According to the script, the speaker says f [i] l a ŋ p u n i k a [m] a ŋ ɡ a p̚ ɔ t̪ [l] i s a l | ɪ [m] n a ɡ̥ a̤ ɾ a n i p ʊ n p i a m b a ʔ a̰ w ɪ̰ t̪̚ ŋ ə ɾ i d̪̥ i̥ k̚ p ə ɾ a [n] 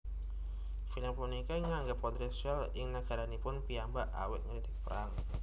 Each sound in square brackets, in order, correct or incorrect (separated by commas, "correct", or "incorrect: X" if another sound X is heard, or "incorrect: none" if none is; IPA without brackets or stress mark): correct, incorrect: ŋ, incorrect: ɾ, incorrect: ŋ, incorrect: ŋ